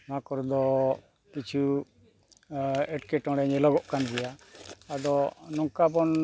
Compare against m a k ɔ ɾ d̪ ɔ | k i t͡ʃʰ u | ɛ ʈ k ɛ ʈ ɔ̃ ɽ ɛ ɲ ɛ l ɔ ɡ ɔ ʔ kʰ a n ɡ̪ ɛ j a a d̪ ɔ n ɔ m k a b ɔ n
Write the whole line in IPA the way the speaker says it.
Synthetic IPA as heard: m a k ɔ ɾ d̪ ɔ | k i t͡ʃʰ u | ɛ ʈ k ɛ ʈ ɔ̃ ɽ ɛ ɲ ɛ l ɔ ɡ ɔ ʔ k a n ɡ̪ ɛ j a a d̪ ɔ n ɔ ŋ k a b ɔ n